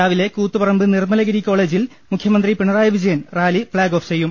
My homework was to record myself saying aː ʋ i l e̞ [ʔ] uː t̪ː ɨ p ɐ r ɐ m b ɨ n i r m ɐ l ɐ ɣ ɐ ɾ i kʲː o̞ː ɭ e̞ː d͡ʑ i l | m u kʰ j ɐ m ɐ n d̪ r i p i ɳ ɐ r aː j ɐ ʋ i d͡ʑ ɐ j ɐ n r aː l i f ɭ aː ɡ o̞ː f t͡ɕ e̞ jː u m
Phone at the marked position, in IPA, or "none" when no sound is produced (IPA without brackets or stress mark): k